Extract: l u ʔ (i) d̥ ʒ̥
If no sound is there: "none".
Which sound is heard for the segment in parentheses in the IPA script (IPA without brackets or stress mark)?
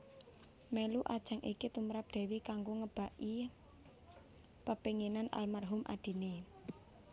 a